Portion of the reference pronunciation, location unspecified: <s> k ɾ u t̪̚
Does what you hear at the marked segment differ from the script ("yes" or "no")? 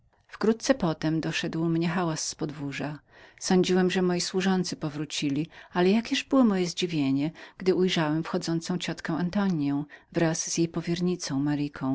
yes